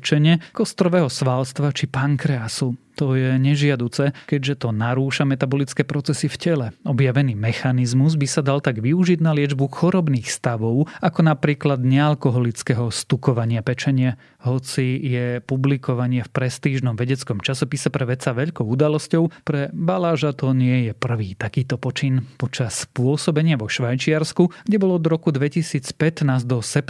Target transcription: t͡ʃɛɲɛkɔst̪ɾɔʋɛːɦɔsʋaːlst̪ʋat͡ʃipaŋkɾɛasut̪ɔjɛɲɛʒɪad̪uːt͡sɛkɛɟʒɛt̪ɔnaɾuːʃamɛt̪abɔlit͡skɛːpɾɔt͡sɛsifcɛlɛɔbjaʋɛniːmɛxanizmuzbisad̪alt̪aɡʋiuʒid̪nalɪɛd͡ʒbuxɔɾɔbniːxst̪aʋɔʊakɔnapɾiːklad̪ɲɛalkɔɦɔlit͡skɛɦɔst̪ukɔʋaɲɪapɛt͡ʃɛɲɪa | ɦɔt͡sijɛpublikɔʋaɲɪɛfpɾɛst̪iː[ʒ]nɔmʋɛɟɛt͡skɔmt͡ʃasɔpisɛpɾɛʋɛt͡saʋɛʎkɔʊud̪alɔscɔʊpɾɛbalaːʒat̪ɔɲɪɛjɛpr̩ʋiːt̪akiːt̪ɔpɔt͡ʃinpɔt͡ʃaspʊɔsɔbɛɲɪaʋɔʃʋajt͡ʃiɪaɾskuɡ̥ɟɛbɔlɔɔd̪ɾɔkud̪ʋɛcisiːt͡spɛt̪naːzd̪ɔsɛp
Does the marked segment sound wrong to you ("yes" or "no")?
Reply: no